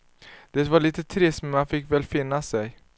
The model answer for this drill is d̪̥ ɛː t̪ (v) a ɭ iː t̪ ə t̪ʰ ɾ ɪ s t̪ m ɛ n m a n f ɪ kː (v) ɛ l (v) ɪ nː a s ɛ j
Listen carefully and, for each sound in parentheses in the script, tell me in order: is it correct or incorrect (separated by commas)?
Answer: correct, correct, incorrect